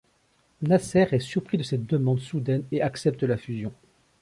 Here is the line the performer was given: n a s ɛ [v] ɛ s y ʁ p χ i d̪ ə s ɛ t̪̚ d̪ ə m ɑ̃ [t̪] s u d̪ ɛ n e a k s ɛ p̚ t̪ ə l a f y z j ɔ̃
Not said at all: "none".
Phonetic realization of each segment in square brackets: ʁ, d̪

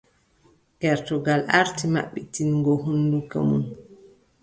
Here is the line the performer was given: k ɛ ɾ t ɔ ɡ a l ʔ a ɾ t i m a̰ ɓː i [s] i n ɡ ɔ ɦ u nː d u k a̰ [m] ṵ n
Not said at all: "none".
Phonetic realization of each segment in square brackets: t, m

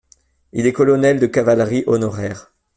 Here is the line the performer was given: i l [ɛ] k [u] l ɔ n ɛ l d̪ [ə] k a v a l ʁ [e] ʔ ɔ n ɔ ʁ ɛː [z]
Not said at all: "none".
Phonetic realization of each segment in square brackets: ɛ, ɔ, ə, i, ʁ

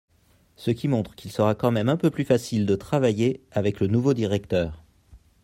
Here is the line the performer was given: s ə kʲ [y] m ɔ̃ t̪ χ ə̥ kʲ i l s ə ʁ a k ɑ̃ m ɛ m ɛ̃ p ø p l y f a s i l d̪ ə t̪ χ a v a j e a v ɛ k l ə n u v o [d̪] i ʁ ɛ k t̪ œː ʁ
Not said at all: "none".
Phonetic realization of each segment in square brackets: i, d̪

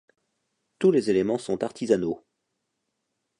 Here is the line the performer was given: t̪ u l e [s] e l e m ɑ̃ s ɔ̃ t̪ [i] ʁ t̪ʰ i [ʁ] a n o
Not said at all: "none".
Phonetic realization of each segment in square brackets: z, a, z

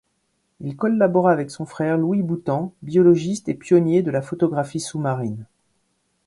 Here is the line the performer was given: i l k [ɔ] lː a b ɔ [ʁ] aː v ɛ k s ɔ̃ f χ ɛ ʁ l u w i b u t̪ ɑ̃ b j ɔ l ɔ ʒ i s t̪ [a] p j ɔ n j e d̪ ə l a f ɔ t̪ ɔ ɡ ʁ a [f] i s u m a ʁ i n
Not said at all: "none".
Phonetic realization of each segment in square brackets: ɔ, ʁ, e, f

